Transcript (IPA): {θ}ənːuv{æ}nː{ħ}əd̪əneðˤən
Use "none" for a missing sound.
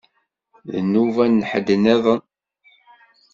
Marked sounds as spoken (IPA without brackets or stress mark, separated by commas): ð, æ, ħ